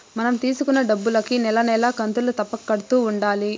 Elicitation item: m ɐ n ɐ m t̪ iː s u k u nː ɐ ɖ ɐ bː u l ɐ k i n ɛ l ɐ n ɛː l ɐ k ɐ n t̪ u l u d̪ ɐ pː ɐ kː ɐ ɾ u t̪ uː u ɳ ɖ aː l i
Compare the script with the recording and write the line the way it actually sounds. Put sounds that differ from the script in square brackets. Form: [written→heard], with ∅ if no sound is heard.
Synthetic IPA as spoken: m ɐ n ɐ m t̪ iː s u k u nː ɐ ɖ ɐ bː u l ɐ k i n ɛ l ɐ n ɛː l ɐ k ɐ n t̪ u l u [d̪→t̪] ɐ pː ɐ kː ɐ [ɾ→ɽ] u t̪ uː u ɳ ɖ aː l i